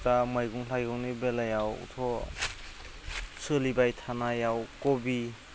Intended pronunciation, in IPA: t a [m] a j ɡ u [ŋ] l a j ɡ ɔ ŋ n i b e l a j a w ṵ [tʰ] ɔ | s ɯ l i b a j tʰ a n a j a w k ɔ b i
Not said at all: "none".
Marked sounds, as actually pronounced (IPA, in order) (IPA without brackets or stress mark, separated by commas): m, ŋ, tʰ